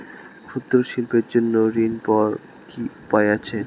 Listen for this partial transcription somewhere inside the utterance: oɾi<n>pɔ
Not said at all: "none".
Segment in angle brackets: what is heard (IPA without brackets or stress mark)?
n